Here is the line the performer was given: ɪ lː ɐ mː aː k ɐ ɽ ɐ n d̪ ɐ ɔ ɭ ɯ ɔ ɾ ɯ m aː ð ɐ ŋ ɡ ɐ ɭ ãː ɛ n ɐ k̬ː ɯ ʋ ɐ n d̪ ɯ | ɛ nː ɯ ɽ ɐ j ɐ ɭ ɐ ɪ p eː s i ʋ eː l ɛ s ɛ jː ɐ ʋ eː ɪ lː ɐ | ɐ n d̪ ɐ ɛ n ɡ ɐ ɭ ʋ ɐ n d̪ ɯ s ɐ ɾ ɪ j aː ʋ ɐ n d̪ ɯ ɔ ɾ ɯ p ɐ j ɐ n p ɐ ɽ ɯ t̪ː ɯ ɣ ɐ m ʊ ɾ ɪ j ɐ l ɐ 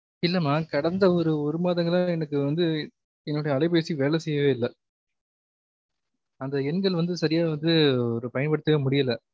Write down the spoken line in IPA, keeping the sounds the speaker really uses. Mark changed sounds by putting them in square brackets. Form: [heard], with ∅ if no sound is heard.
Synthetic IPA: ɪ lː ɐ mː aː k ɐ ɽ ɐ n d̪ ɐ ɔ [ɾ] ɯ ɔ ɾ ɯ m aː ð ɐ ŋ ɡ ɐ ɭ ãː ɛ n ɐ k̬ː ɯ ʋ ɐ n d̪ ɯ | ɛ nː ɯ ɽ ɐ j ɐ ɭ ɐ ɪ p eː s i ʋ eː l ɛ s ɛ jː ɐ ʋ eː ɪ lː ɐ | ɐ n d̪ ɐ ɛ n ɡ ɐ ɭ ʋ ɐ n d̪ ɯ s ɐ ɾ ɪ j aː ʋ ɐ n d̪ ɯ ɔ ɾ ɯ p ɐ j ɐ n p ɐ ɽ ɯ t̪ː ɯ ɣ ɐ m ʊ [ɽ] ɪ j ɐ l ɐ